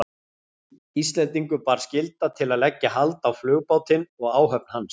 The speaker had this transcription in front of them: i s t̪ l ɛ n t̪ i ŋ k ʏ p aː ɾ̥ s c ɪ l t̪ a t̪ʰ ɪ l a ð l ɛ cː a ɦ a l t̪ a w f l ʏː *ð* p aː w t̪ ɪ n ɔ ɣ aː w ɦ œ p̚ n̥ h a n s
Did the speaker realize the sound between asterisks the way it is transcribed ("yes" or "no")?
no